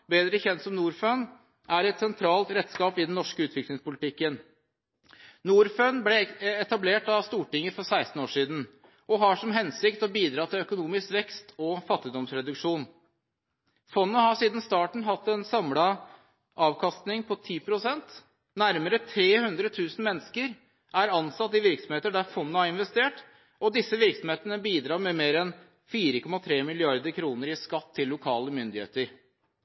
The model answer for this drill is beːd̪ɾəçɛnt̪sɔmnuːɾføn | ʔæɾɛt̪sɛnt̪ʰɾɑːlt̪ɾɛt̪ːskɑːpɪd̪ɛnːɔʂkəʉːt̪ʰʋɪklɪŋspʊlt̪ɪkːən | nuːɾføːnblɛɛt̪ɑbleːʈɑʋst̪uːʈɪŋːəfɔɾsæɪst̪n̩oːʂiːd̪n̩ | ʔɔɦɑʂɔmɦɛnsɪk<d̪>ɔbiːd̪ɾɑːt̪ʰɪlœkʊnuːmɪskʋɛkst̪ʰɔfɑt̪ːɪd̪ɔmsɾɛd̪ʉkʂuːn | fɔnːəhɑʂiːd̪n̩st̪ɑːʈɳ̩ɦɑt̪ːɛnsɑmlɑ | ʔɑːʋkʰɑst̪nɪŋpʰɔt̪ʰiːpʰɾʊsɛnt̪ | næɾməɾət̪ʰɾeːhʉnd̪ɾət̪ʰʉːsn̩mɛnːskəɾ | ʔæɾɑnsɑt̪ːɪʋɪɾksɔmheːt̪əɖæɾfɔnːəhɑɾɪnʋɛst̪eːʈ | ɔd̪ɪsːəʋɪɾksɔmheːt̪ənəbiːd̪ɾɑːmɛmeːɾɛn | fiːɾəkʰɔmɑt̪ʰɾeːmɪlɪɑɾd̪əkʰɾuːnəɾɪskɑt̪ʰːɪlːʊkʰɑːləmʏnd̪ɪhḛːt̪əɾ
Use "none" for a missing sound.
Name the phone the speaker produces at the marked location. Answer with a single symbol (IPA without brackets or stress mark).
t̪